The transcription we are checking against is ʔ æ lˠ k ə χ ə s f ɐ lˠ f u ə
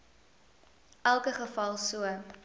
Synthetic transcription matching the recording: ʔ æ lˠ k ə χ ə f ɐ lˠ s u ə